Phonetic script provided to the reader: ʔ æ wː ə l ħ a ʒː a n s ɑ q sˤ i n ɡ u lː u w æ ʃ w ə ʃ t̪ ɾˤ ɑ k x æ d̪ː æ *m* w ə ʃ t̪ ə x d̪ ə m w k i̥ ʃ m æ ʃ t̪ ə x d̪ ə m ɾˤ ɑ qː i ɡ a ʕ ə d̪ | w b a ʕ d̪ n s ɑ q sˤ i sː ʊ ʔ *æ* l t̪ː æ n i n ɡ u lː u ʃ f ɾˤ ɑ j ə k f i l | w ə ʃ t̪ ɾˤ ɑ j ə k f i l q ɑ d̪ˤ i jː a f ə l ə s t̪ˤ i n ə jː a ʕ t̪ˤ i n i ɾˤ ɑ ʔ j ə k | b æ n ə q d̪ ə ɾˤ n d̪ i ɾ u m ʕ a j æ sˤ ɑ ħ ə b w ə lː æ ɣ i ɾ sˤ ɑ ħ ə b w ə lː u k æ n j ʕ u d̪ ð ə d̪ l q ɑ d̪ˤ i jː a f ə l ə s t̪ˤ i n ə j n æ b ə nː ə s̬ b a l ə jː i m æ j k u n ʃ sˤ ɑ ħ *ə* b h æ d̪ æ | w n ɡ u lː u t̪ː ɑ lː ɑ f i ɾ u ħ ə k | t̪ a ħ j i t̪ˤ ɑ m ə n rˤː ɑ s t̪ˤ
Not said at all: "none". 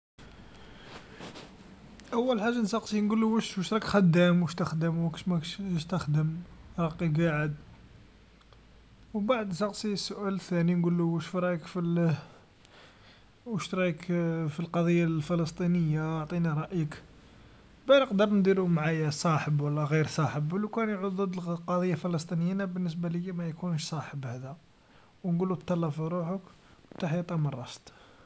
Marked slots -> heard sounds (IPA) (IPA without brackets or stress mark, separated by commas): m, æ, ə